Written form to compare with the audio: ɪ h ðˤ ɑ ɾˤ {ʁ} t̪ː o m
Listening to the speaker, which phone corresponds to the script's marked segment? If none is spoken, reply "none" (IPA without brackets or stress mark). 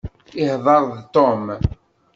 ð